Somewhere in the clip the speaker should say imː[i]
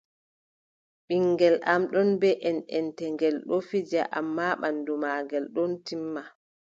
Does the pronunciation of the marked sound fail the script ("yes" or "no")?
yes